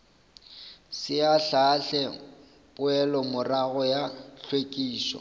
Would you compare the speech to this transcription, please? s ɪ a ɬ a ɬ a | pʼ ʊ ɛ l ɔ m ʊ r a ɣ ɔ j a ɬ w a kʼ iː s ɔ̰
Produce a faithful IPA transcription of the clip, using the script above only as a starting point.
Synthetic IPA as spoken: s ɪ a ɬ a ɬ ɛ | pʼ ʊ ɛ l ɔ m ʊ r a ɣ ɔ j a ɬ w e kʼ iː s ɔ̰